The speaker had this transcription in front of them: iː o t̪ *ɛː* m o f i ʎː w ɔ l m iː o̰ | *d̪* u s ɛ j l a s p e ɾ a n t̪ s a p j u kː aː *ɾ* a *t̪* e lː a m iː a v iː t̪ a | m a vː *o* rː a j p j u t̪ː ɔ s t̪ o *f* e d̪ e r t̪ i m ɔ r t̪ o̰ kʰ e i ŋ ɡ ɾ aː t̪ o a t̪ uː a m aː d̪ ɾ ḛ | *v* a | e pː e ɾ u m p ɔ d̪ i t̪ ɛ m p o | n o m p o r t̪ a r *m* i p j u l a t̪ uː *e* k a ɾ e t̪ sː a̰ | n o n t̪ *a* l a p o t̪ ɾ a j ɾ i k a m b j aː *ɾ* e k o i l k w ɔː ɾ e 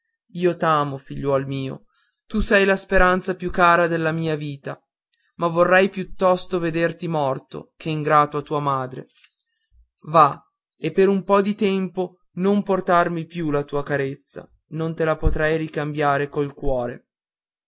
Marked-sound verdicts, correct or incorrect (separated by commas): incorrect, incorrect, correct, incorrect, correct, incorrect, correct, correct, incorrect, incorrect, correct